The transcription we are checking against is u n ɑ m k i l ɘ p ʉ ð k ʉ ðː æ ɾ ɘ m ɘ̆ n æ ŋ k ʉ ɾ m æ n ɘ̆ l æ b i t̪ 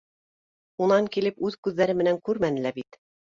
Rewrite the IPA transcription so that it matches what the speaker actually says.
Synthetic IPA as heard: u n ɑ ŋ k i l ɘ p ʉ ð k ʉ ðː æ ɾ ɘ m ɘ̆ n æ ŋ k ʉ ɾ m æ n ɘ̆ l æ b i t̪